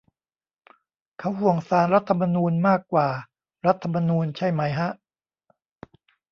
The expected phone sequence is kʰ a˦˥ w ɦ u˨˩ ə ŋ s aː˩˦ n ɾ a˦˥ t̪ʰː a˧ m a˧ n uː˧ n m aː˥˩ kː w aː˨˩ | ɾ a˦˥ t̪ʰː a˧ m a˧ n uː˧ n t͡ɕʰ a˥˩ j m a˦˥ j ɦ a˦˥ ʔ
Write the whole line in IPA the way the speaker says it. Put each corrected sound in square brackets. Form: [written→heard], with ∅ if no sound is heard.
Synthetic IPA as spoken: kʰ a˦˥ w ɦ u˨˩ ə ŋ s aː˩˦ n ɾ a˦˥ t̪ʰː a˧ m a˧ n uː˧ n m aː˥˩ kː w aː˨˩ | ɾ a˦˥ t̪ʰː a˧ m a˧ n uː˧ n t͡ɕʰ a˥˩ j m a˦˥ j ɦ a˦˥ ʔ